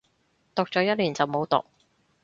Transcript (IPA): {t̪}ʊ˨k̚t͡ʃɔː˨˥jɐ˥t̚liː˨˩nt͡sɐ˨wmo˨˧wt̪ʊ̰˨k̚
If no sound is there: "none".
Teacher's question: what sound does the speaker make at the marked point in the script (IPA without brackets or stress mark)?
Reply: t̪